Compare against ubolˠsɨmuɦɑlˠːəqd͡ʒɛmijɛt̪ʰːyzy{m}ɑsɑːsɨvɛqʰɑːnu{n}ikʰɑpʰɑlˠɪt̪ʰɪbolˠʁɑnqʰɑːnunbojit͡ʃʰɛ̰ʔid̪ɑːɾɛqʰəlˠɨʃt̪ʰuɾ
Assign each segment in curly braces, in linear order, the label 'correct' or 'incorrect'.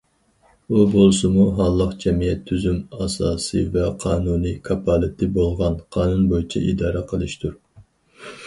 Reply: correct, correct

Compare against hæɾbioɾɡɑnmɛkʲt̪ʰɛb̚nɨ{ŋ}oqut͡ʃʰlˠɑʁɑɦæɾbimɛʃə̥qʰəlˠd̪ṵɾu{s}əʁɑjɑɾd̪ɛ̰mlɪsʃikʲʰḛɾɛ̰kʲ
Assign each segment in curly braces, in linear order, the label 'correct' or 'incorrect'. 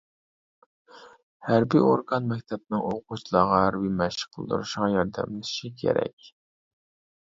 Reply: correct, incorrect: ʃ

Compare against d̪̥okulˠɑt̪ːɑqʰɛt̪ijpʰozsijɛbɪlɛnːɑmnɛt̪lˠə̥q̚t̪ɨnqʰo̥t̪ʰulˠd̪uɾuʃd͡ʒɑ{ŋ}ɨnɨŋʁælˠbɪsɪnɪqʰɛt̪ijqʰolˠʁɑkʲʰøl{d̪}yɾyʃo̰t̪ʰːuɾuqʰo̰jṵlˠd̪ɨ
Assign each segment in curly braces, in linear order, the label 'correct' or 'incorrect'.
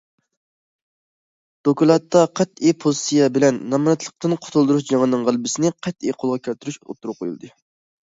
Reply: correct, incorrect: t̪

